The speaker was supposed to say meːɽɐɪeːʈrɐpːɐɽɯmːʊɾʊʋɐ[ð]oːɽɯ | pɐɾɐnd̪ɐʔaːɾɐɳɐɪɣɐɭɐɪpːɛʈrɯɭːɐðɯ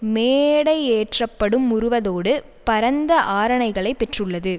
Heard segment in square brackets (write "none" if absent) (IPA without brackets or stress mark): ð